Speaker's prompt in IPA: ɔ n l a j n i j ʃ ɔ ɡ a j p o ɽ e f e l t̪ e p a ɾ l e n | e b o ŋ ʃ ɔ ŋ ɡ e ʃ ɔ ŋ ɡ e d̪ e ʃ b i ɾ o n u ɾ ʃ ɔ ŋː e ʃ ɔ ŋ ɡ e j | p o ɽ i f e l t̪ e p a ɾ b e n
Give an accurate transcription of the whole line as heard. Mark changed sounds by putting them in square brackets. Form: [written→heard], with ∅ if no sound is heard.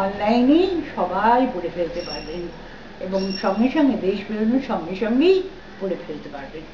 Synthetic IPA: ɔ n l a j n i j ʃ ɔ [ɡ→b] a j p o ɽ e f e l t̪ e p a ɾ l e n | e b o ŋ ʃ ɔ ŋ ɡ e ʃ ɔ ŋ ɡ e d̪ e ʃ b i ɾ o n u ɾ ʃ ɔ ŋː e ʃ ɔ ŋ ɡ e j | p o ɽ [i→e] f e l t̪ e p a ɾ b e n

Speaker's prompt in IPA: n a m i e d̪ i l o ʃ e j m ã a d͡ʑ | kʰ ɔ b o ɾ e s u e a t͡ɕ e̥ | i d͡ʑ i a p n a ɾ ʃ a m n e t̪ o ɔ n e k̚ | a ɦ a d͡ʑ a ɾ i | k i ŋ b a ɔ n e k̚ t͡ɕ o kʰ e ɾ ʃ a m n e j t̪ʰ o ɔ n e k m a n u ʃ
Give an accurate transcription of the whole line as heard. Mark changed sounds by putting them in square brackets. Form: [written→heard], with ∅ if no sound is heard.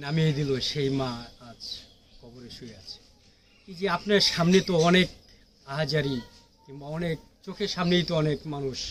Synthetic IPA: n a m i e d̪ i l o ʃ e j m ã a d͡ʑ | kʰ ɔ b o ɾ e [s→ʃ] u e a [t͡ɕ→t͡ɕʰ] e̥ | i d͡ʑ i a p n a ɾ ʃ a m n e t̪ o ɔ n e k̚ | a ɦ a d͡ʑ a ɾ i | k i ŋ b a ɔ n e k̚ t͡ɕ o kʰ e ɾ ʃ a m n e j [t̪ʰ→t̪] o ɔ n e k m a n u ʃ

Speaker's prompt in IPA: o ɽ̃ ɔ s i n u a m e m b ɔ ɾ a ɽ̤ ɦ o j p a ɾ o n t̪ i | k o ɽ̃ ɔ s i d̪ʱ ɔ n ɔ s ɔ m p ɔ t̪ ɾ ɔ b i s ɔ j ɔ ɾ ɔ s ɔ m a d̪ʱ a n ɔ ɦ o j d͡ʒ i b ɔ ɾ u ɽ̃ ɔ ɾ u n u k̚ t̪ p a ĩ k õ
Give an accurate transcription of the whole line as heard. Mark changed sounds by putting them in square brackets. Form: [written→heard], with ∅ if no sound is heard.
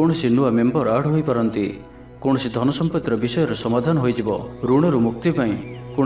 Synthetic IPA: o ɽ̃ ɔ s i n u a m e m b ɔ ɾ a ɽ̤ ɦ o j p a ɾ [o→ɔ] n t̪ i | k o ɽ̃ ɔ s i d̪ʱ ɔ n ɔ s ɔ m p ɔ t̪ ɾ ɔ b i s ɔ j ɔ ɾ ɔ s ɔ m a d̪ʱ a n ɔ ɦ o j d͡ʒ i b ɔ ɾ u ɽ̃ ɔ ɾ u [n→m] u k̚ t̪ p a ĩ k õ

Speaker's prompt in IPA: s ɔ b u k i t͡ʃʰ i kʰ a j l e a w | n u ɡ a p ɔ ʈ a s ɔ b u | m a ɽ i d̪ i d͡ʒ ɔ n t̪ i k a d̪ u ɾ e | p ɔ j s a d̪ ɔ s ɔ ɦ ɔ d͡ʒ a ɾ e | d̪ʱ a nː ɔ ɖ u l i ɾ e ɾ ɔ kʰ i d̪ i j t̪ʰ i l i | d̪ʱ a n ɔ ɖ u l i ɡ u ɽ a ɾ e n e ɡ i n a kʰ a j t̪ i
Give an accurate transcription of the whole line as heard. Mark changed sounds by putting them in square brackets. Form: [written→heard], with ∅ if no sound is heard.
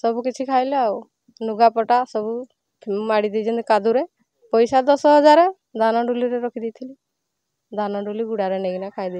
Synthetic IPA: s ɔ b u k i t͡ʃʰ i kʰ a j l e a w | n u ɡ a p ɔ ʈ a s ɔ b u | m a ɽ i d̪ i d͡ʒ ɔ n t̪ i k a d̪ u ɾ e | p ɔ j s a d̪ ɔ s ɔ ɦ ɔ d͡ʒ a ɾ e | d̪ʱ a [nː→n] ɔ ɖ u l i ɾ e ɾ ɔ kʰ i d̪ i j t̪ʰ i l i | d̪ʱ a n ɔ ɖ u l i ɡ u ɽ a ɾ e n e ɡ i n a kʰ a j [t̪→d̪] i

